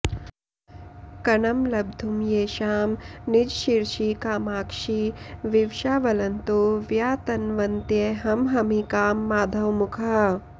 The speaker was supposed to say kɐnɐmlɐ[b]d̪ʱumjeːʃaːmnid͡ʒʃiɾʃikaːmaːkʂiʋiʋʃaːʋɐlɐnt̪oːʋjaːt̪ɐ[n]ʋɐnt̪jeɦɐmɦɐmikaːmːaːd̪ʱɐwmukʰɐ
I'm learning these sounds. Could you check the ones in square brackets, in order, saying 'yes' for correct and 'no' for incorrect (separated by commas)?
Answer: yes, yes